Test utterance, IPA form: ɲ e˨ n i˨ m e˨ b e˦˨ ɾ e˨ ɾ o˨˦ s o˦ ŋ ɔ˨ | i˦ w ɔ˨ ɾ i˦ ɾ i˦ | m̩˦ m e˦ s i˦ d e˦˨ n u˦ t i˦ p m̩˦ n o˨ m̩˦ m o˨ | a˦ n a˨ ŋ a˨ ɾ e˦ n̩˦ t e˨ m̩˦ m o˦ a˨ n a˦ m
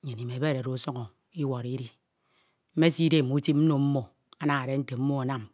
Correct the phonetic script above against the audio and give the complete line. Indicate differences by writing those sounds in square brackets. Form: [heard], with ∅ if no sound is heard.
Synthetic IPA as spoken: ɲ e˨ n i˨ m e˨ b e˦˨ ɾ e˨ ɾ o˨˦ s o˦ ŋ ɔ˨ | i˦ w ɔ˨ ɾ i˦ ɾ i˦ | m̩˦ m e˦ s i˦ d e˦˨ [m] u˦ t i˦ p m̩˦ n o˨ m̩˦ m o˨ | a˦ n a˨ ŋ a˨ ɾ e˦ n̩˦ t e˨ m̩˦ m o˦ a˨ n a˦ m